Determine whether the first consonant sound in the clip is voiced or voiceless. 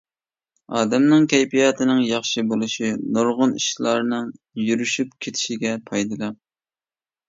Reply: voiced